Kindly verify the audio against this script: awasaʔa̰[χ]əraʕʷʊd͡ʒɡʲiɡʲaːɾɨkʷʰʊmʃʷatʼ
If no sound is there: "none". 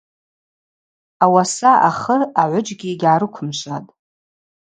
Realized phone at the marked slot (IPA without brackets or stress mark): χ